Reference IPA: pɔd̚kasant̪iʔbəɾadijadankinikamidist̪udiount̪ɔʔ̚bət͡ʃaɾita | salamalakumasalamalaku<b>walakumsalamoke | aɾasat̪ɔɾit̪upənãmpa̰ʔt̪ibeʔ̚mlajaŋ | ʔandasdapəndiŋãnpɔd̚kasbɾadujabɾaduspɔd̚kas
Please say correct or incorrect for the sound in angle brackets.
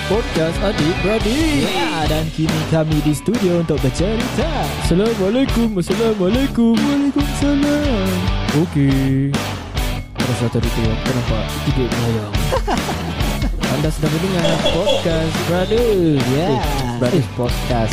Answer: incorrect